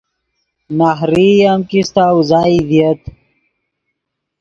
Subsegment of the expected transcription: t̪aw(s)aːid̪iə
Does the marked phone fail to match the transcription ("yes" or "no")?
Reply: yes